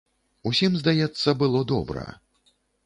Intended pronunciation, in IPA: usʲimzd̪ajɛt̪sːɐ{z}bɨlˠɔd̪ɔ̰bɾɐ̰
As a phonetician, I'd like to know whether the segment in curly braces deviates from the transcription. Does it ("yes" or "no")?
yes